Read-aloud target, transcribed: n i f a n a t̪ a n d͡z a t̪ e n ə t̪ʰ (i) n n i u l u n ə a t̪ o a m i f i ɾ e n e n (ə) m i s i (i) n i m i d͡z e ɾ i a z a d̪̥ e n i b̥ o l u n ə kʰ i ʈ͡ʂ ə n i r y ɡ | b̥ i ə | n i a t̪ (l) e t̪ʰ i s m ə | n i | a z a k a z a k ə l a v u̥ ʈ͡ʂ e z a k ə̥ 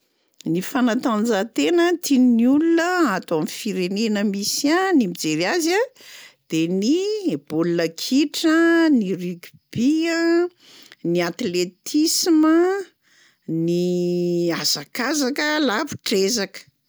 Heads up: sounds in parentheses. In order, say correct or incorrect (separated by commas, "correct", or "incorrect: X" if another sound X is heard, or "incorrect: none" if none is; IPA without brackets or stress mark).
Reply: correct, correct, incorrect: a, correct